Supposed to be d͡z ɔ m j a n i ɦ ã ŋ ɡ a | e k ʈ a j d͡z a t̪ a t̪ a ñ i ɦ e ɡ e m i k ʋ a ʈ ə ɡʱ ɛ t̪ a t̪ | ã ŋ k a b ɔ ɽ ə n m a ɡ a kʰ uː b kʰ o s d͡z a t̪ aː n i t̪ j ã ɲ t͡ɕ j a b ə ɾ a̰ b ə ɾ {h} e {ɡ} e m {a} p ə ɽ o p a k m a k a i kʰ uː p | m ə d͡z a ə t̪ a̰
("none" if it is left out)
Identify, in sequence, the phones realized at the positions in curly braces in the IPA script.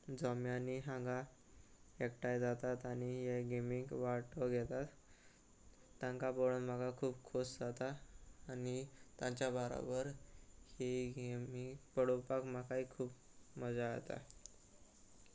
h, ɡ, i

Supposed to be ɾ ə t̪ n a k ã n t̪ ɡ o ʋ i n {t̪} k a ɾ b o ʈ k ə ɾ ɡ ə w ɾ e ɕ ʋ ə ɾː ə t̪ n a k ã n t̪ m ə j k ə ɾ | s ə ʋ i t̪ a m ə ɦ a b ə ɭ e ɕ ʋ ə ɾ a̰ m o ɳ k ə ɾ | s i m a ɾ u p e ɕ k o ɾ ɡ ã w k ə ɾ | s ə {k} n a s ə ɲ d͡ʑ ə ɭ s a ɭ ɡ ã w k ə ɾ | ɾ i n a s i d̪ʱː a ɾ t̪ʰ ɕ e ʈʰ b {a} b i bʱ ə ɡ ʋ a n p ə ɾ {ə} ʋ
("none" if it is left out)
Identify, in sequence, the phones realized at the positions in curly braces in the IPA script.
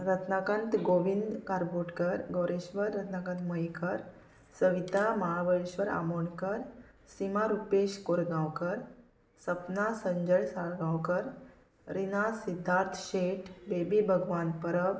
d̪, p, e, ə

